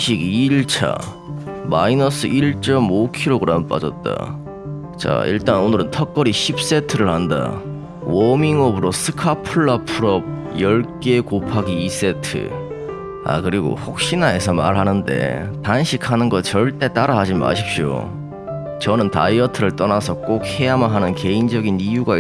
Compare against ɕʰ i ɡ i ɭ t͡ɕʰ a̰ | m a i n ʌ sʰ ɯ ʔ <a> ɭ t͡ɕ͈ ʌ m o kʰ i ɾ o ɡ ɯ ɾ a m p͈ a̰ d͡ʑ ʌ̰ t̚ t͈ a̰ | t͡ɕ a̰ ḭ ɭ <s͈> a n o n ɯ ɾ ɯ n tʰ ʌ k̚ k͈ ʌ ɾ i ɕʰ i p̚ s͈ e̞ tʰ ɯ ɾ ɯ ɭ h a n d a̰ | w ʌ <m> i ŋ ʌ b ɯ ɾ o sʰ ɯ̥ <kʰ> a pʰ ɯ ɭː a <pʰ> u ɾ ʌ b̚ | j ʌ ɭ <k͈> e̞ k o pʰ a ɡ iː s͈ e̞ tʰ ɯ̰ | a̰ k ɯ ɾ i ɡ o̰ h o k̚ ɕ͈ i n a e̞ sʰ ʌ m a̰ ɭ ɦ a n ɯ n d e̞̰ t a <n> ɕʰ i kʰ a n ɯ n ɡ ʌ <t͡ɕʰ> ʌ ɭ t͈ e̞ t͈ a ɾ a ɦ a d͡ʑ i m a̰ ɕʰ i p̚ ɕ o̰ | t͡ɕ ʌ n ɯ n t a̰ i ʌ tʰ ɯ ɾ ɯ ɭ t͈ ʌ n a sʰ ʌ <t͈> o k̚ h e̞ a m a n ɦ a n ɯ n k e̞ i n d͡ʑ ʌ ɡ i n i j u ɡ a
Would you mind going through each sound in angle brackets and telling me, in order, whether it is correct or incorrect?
incorrect: i, incorrect: t͈, correct, correct, correct, correct, correct, incorrect: t͡ɕ, incorrect: k͈

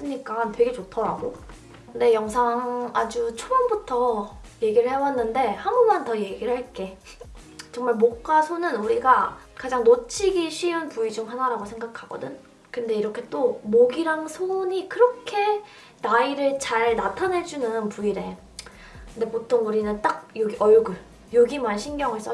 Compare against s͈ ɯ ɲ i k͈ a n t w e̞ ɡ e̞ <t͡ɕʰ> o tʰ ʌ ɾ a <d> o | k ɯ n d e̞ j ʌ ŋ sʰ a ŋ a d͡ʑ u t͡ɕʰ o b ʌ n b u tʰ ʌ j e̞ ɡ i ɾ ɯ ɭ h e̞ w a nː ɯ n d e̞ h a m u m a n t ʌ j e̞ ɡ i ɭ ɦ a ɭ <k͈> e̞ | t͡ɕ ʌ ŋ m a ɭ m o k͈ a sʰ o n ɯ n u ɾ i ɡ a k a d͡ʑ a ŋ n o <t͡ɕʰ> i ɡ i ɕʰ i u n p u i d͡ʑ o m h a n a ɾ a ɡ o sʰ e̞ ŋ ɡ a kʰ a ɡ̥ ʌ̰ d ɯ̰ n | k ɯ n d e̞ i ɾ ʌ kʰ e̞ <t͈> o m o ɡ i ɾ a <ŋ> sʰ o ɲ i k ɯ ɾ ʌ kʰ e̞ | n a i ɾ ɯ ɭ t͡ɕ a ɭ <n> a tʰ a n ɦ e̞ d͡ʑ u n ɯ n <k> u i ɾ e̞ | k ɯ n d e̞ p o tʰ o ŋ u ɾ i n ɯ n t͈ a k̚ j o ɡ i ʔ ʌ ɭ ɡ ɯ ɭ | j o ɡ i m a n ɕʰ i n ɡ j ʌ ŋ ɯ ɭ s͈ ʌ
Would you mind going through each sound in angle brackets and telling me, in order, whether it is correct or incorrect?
incorrect: t͡ɕ, incorrect: ɡ, correct, correct, correct, correct, correct, incorrect: p

